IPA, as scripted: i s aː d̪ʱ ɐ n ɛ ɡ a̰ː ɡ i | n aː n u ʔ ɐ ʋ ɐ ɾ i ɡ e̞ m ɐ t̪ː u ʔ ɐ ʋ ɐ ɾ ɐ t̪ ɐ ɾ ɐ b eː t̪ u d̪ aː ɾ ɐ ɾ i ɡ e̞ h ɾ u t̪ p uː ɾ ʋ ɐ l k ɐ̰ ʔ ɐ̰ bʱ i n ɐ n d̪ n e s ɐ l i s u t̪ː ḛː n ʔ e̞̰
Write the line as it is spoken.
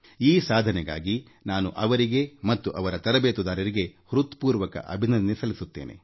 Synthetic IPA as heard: iː s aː d̪ʱ ɐ n ɛ ɡ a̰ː ɡ i | n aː n u ʔ ɐ ʋ ɐ ɾ i ɡ e̞ m ɐ t̪ː u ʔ ɐ ʋ ɐ ɾ ɐ t̪ ɐ ɾ ɐ b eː t̪ u d̪ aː ɾ ɐ ɾ i ɡ e̞ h ɾ u t̪ p uː ɾ ʋ ɐ k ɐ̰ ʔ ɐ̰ bʱ i n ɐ n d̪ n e s ɐ l i s u t̪ː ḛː n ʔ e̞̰